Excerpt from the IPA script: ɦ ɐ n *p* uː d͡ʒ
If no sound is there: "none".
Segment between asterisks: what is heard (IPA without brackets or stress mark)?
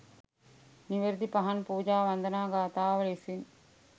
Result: p